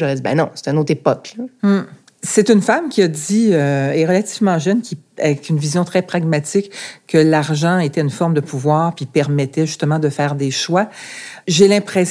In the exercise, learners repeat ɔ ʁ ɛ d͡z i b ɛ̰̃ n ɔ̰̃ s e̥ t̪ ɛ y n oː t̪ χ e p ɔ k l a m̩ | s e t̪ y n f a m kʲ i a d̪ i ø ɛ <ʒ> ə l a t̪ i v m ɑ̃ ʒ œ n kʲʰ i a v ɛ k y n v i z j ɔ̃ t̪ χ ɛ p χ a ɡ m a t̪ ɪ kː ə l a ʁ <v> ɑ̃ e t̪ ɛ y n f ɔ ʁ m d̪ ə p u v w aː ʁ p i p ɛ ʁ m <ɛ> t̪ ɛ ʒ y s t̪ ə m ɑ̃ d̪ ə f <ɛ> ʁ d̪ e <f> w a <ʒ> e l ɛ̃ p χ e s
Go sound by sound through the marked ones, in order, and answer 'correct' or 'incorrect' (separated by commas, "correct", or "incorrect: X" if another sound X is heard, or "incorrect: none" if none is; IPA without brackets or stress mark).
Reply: incorrect: ʁ, incorrect: ʒ, correct, incorrect: ɛː, incorrect: ʃ, correct